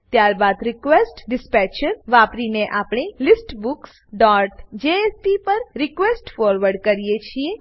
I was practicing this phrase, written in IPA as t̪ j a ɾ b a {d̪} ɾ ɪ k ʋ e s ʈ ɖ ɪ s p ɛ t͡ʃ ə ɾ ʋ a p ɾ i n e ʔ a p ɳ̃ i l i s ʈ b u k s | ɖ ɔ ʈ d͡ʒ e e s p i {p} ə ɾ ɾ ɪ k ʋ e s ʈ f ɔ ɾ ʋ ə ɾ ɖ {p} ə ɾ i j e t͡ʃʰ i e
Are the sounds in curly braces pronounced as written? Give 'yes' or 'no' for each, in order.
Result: yes, yes, no

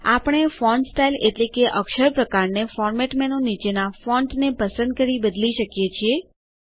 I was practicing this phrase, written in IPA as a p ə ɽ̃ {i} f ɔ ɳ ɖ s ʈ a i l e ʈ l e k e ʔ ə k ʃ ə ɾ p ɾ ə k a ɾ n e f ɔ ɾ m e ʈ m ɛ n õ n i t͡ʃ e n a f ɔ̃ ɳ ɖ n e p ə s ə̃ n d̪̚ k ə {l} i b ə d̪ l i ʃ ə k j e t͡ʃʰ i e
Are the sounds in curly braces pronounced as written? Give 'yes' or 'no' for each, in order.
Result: no, no

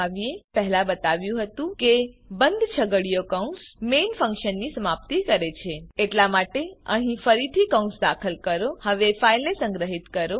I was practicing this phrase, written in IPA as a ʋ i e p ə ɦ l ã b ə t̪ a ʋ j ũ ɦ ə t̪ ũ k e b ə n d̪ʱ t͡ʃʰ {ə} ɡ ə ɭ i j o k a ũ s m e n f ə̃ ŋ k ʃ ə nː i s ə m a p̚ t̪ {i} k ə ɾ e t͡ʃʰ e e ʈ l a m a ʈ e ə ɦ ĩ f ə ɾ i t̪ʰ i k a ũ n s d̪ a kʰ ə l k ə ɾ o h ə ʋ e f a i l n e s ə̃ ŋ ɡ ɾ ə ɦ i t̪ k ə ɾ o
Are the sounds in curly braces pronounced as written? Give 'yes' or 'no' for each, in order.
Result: yes, yes

